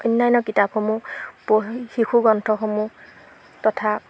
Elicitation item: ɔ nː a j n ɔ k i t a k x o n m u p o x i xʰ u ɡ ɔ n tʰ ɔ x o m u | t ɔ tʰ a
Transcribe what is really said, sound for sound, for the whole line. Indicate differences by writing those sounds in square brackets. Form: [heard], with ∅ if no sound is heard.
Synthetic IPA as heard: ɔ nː a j n ɔ k i t a [p] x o [∅] m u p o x i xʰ u ɡ ɔ n tʰ ɔ x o m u | t ɔ tʰ a